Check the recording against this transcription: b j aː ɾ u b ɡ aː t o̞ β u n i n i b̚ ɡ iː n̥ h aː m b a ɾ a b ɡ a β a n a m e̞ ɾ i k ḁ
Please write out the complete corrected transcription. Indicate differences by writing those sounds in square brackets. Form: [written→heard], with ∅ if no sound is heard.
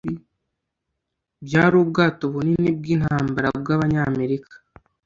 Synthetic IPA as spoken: b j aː ɾ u b ɡ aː t o̞ β u n i n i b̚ ɡ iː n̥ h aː m b a ɾ a b ɡ a β a [n→ɲ] a m e̞ ɾ i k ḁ